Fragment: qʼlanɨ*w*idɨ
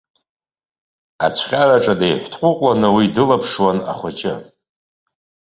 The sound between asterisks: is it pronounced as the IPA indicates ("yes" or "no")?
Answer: yes